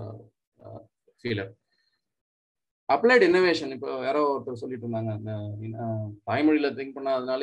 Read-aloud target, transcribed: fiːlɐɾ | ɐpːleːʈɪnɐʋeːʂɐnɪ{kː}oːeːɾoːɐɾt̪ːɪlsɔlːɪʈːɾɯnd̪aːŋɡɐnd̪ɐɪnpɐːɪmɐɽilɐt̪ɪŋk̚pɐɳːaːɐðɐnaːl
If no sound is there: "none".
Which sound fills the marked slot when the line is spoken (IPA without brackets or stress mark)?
pː